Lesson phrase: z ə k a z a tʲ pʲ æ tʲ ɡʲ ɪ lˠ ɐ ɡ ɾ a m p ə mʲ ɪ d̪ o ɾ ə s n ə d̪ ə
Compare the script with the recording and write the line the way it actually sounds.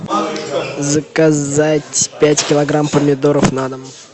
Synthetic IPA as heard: z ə k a z a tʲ pʲ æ tʲ kʲ ɪ lˠ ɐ ɡ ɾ a m p ə mʲ ɪ d̪ o ɾ ə f n a d̪ ə

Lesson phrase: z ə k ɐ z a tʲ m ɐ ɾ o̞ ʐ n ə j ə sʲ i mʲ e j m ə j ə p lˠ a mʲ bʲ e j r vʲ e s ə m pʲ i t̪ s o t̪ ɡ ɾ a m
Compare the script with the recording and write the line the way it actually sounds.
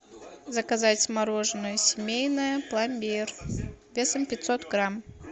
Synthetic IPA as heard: z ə k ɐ z a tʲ m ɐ ɾ o̞ ʐ n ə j ə sʲ ɪ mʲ e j n ə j ə p lˠ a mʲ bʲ e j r vʲ e s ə m pʲ ɪ t̪ s o t̪ ɡ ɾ a m

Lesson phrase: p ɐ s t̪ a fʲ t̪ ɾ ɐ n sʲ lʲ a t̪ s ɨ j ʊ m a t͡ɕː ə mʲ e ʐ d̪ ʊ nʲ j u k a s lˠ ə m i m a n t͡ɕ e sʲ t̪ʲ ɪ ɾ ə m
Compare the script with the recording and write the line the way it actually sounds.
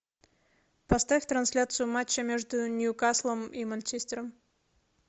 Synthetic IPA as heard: p ɐ s t̪ a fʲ t̪ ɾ ɐ n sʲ lʲ a t̪ s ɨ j ʊ m a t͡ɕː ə mʲ e ʐ d̪ ʊ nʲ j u k a s lˠ ə m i m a n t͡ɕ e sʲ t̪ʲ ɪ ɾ ə m

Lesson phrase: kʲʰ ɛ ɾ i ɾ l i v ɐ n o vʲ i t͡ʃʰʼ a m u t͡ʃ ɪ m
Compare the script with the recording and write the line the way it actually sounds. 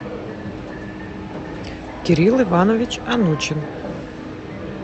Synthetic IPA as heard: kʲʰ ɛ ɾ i l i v a n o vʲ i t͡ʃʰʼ a n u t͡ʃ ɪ n

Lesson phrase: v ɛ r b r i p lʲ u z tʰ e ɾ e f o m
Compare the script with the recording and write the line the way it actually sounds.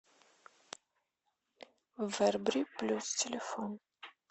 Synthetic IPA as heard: v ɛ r b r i p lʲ u s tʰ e l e f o n

